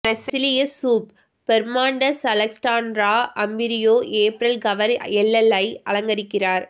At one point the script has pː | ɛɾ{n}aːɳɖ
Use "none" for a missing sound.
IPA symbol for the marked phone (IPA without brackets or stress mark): m